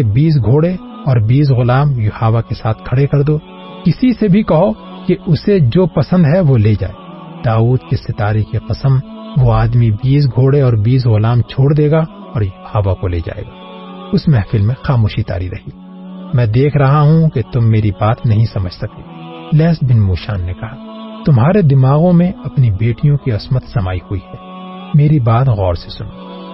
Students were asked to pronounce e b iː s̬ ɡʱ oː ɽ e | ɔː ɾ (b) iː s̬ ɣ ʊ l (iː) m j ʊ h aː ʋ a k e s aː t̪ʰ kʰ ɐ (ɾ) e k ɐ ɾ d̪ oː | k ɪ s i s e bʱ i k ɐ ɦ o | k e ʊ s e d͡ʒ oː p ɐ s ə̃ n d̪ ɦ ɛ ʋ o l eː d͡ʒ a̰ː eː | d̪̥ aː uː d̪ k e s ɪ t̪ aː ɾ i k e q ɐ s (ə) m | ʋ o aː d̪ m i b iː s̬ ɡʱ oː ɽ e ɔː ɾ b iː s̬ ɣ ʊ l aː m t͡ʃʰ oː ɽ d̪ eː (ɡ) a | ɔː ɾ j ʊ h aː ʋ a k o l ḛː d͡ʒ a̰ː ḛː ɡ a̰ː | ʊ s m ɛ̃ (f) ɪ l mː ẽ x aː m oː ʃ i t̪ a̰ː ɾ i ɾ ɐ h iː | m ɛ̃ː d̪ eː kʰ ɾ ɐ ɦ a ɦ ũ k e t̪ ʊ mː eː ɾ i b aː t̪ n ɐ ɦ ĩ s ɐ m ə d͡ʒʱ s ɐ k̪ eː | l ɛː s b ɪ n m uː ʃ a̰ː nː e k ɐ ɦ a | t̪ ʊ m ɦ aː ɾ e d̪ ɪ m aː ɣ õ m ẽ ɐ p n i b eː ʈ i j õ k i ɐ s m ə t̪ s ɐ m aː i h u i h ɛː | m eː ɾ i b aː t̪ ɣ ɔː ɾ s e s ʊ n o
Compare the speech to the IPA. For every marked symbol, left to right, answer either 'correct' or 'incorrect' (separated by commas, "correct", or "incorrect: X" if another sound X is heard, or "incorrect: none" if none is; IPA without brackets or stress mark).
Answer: correct, incorrect: aː, incorrect: ɽ, correct, correct, correct